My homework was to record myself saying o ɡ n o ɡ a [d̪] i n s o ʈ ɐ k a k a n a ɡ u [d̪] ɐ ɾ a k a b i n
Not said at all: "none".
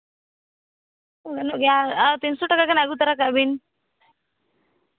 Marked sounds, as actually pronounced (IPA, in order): t̪, t̪

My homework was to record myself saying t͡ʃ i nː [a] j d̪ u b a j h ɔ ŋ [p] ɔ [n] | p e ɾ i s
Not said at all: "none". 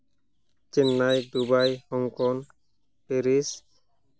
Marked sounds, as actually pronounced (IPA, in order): a, k, n

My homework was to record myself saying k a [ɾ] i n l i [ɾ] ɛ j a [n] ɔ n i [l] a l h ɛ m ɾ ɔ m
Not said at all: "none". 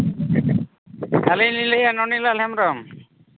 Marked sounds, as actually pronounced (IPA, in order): l, l, n, l

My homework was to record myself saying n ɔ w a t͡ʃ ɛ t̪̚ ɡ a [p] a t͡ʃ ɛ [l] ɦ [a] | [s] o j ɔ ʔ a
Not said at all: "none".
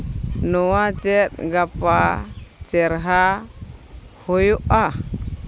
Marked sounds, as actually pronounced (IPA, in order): p, ɾ, a, h

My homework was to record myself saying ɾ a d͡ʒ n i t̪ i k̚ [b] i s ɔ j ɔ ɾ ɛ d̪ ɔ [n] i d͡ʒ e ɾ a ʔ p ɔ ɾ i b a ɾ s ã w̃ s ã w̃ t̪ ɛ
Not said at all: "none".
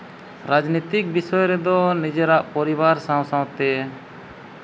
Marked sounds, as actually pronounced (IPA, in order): b, n

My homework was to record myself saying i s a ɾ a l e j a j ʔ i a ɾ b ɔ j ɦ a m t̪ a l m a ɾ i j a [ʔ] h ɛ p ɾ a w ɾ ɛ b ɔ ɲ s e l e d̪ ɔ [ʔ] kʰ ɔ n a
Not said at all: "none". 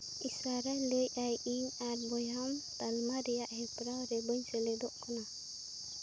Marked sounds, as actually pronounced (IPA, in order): ʔ, ʔ

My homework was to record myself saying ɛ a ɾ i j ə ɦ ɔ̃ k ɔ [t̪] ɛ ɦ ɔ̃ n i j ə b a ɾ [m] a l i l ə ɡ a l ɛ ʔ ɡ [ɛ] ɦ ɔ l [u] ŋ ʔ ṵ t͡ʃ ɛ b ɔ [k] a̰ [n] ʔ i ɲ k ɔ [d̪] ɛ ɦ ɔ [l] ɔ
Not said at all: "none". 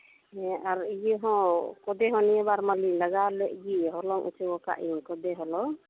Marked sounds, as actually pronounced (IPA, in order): d̪, m, i, ɔ, k, none, d̪, l

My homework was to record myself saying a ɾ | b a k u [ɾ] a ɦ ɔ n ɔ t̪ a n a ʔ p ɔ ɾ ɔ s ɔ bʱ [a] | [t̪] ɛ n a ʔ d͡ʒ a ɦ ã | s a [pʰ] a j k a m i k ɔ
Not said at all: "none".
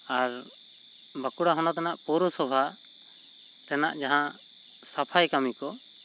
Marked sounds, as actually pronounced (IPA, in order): ɽ, a, t̪, pʰ

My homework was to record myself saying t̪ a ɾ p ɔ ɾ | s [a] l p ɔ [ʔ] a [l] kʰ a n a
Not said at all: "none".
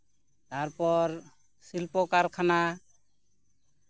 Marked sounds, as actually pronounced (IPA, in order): i, k, ɾ

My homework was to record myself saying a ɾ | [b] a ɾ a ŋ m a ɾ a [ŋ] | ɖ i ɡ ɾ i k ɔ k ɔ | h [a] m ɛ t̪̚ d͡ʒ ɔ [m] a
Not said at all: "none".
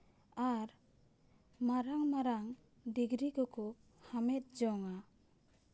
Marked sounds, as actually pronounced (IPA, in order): m, ŋ, a, ŋ

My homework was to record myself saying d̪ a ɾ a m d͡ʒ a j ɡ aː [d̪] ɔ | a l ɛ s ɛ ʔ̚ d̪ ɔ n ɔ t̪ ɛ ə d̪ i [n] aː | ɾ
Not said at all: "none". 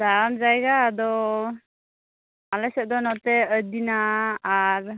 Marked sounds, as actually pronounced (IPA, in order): d̪, n

